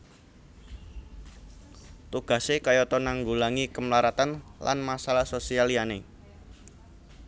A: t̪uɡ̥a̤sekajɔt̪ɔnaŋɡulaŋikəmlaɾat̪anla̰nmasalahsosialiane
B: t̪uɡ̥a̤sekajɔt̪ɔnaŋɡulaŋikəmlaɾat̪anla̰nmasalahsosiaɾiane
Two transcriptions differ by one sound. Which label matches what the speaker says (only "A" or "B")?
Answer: A